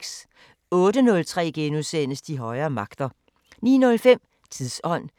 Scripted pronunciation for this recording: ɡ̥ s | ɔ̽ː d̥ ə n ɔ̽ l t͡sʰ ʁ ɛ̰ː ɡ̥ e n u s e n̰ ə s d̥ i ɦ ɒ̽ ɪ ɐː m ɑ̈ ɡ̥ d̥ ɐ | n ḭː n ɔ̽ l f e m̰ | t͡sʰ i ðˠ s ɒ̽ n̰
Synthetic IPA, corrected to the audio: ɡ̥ s | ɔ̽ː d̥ ə n ɔ̽ l t͡sʰ ʁ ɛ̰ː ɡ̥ e n u s e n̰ ə s d̥ i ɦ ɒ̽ ɪ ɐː m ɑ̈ ɡ̥ d̥ ɐ | n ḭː n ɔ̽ l f e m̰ | t͡sʰ i ðˠ s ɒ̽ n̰